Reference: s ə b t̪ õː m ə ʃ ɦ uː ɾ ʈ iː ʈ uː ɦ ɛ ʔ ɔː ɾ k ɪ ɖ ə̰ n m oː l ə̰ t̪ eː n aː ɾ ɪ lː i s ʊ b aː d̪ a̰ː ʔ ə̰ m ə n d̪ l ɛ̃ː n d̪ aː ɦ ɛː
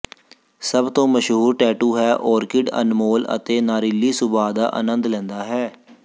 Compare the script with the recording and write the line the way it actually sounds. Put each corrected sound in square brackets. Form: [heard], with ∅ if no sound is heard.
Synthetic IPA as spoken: s ə b t̪ õː m ə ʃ ɦ uː ɾ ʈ [ɛː] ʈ uː ɦ [ɛː] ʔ ɔː ɾ k ɪ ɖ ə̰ n m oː l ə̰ t̪ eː n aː ɾ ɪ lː [iː] s ʊ b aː d̪ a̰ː ʔ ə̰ [n] ə n d̪ l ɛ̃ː n d̪ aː ɦ ɛː